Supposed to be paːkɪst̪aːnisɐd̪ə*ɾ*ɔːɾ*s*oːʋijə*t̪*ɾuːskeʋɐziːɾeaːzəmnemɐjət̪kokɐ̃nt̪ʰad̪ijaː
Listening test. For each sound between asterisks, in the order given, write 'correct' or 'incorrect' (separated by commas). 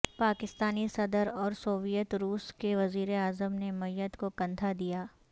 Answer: correct, correct, correct